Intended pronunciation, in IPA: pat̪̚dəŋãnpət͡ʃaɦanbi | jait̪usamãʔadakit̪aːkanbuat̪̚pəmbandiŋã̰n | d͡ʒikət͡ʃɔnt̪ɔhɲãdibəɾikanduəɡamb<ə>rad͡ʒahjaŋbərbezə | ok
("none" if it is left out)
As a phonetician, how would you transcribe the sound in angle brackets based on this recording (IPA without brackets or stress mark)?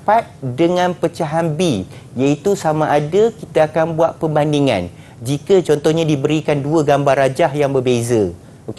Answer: a